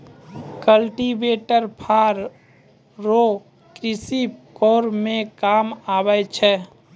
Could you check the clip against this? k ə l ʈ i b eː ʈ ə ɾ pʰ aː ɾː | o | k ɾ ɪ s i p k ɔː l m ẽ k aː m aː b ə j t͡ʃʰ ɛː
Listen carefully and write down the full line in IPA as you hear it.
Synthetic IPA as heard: k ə l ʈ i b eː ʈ ə ɾ pʰ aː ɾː | o | k ɾ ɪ s i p k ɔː ɾ m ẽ k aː m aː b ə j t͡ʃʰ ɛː